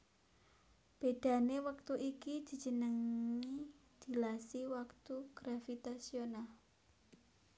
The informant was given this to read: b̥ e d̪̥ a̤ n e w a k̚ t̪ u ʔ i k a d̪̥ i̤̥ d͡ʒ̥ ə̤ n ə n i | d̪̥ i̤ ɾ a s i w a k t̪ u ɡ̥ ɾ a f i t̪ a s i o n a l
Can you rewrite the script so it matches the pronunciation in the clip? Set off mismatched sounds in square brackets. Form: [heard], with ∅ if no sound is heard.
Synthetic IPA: b̥ e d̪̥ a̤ n e w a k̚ t̪ u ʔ i k [i] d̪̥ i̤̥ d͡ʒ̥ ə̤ n ə [ŋ] i | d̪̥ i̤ [l] a s i w a k t̪ u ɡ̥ ɾ a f i t̪ a s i o n a l